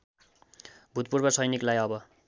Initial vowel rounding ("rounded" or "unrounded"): rounded